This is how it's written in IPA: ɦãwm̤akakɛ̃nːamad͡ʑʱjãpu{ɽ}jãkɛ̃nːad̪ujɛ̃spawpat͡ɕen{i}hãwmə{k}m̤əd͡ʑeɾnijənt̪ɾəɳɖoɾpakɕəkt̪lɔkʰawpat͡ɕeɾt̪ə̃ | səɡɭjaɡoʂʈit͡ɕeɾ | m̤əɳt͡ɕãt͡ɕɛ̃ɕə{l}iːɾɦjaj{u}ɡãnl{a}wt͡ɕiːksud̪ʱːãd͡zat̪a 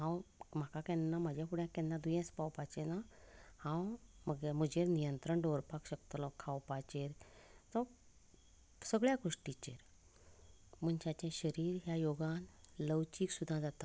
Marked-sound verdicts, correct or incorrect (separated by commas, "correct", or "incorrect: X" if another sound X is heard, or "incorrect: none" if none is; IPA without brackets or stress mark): correct, incorrect: a, incorrect: ɡ, incorrect: ɾ, incorrect: o, incorrect: ə